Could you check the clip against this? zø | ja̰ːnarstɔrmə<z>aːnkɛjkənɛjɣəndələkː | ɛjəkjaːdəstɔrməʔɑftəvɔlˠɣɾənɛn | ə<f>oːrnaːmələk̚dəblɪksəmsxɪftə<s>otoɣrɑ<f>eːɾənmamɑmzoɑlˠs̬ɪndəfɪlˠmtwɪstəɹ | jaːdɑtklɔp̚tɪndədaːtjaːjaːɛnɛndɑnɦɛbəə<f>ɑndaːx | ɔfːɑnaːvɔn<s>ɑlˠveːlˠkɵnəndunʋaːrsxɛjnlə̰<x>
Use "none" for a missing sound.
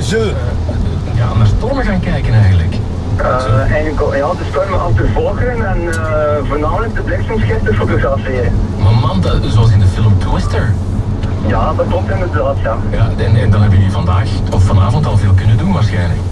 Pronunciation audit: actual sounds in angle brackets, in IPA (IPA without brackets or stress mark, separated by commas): ɣ, v, f, f, v, t, k